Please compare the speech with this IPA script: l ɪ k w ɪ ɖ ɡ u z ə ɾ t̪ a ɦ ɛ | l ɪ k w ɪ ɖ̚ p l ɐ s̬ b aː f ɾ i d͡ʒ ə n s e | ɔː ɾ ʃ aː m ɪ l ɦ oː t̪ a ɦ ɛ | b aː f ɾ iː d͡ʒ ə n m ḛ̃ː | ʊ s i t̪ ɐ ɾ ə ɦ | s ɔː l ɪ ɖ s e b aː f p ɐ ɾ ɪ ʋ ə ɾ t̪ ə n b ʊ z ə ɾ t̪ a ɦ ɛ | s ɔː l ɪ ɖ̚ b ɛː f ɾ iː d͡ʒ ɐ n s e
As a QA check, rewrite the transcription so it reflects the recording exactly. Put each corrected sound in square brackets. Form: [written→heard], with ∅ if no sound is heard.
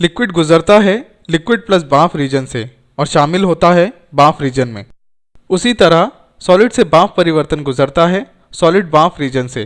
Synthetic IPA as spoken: l ɪ k w ɪ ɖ ɡ [u→ʊ] z ə ɾ t̪ a ɦ ɛ | l ɪ k w ɪ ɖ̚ p l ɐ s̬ b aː f ɾ [i→iː] d͡ʒ ə n s e | ɔː ɾ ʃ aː m ɪ l ɦ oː t̪ a ɦ ɛ | b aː f ɾ iː d͡ʒ ə n m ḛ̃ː | ʊ s i t̪ ɐ ɾ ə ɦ | s ɔː l ɪ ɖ s e b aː f p ɐ ɾ ɪ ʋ ə ɾ t̪ ə n [b→ɡ] ʊ z ə ɾ t̪ a ɦ ɛ | s ɔː l ɪ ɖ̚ b [ɛː→aː] f ɾ iː d͡ʒ [ɐ→ə] n s e

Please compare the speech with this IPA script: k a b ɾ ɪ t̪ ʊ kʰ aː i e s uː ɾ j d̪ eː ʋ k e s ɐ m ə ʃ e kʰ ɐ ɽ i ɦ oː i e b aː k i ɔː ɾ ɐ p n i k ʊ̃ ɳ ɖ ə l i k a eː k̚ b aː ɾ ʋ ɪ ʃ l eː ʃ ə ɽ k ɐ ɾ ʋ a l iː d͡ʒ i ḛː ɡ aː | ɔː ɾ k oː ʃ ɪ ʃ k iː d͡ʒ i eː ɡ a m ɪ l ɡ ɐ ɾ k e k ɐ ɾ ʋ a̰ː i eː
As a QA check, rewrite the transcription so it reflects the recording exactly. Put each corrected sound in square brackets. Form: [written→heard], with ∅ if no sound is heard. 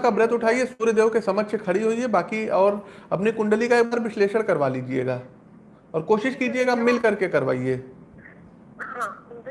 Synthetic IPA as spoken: k a b ɾ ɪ t̪ ʊ [kʰ→ʈʰ] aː i e s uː ɾ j d̪ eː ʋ k e s ɐ m ə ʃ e kʰ ɐ ɽ i ɦ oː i e b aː k i ɔː ɾ ɐ p n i k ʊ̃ ɳ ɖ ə l i k a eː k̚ b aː ɾ ʋ ɪ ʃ l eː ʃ ə ɽ k ɐ ɾ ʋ a l iː d͡ʒ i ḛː ɡ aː | ɔː ɾ k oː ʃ ɪ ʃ k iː d͡ʒ i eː ɡ a m ɪ l [ɡ→k] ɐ ɾ k e k ɐ ɾ ʋ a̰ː i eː

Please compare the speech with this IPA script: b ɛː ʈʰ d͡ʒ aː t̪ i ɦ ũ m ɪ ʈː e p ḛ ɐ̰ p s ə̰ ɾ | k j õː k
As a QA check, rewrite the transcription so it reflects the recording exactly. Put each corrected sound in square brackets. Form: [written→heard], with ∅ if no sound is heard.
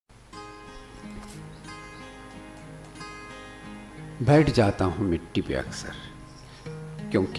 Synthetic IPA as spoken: b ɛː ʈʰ d͡ʒ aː t̪ [i→a] ɦ ũ m ɪ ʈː [e→i] p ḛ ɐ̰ [p→k] s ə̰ ɾ | k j õː k

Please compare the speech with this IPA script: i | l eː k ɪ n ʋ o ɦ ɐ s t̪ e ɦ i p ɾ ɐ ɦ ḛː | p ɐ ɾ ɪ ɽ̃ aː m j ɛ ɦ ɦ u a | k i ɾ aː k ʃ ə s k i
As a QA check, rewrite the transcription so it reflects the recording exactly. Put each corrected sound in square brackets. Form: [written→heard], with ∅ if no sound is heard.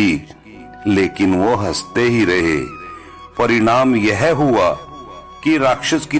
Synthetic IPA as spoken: i | l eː k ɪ n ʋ o ɦ ɐ s t̪ e ɦ i [p→∅] ɾ ɐ ɦ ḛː | p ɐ ɾ ɪ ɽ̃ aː m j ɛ ɦ ɦ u a | k i ɾ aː k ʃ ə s k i

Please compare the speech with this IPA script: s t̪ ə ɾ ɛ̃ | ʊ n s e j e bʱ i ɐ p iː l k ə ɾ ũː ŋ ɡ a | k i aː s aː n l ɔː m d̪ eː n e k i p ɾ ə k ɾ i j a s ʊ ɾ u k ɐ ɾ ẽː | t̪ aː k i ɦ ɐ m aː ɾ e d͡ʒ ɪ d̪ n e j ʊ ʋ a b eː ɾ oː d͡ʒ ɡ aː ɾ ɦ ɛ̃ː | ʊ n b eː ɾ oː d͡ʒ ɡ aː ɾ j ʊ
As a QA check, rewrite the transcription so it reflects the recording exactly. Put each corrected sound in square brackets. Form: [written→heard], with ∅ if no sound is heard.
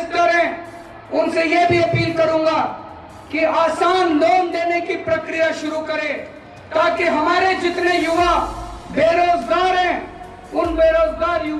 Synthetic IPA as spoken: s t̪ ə ɾ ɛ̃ | ʊ n s e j e bʱ i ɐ p iː l k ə ɾ ũː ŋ ɡ a | k i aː s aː n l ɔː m d̪ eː n e k i p ɾ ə k ɾ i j a [s→ʃ] ʊ ɾ u k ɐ ɾ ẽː | t̪ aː k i ɦ ɐ m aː ɾ e d͡ʒ ɪ [d̪→t̪] n e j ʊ ʋ a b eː ɾ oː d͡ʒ ɡ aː ɾ ɦ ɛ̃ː | ʊ n b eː ɾ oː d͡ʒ ɡ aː ɾ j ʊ

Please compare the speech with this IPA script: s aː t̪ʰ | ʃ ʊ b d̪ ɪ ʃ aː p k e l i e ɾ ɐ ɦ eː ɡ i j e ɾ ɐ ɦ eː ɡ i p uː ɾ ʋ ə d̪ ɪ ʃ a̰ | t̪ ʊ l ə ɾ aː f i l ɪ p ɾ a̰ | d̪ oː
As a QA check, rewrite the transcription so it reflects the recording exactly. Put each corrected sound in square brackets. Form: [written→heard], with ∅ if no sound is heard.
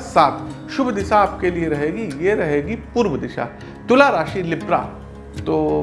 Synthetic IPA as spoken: s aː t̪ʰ | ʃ ʊ b d̪ ɪ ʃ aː p k e l i e ɾ ɐ ɦ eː ɡ i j e ɾ ɐ ɦ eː ɡ i p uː ɾ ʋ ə d̪ ɪ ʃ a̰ | t̪ ʊ l [ə→a] ɾ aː [f→ʃ] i l ɪ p ɾ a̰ | [d̪→t̪] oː

